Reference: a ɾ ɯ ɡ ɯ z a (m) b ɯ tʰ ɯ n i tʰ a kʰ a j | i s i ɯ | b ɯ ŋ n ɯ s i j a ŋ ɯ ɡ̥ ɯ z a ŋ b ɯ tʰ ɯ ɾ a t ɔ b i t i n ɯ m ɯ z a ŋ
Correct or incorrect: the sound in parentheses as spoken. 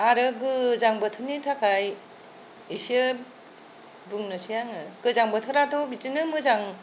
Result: incorrect: ŋ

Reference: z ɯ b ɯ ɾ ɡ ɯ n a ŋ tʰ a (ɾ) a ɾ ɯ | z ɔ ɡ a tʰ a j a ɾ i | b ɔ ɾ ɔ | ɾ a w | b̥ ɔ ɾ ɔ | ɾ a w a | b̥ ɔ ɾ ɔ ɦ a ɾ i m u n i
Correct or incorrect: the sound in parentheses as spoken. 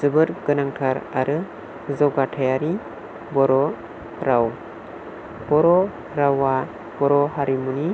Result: correct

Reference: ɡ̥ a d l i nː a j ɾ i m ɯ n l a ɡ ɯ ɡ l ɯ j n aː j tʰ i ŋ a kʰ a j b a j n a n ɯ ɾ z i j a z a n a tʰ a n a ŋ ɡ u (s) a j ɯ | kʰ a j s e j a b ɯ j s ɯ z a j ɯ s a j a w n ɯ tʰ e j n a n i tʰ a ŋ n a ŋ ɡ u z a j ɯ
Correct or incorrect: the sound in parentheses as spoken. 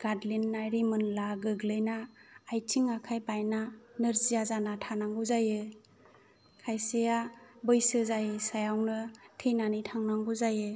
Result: incorrect: z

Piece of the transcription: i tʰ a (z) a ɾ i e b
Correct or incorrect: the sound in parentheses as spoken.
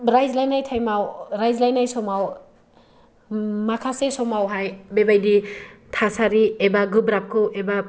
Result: incorrect: s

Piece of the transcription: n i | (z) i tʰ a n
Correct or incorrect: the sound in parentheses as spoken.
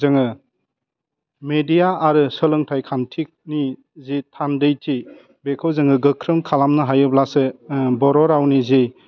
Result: correct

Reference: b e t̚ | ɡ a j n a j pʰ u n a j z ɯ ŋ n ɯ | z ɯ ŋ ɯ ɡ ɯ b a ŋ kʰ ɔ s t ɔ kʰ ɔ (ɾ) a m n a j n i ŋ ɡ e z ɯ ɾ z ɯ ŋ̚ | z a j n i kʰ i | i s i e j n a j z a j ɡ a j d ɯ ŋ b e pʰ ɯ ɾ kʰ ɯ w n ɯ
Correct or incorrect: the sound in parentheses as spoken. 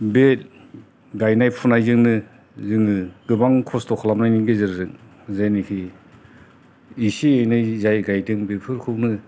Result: incorrect: l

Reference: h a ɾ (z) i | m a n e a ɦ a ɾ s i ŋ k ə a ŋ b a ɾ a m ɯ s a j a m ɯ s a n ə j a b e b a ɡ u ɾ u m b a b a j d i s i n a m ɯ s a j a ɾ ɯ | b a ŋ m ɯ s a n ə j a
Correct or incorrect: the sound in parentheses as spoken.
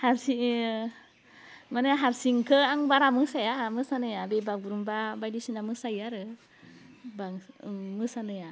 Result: incorrect: s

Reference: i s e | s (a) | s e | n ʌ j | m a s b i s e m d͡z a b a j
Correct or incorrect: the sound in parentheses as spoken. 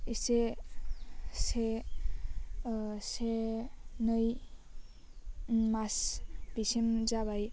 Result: incorrect: e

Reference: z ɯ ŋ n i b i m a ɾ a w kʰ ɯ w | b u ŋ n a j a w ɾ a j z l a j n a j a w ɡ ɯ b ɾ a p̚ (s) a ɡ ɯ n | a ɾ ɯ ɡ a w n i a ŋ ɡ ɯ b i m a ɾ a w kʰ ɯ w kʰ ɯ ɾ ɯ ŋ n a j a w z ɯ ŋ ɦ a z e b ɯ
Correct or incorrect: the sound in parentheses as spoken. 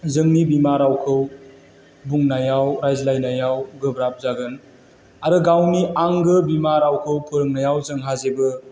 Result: incorrect: z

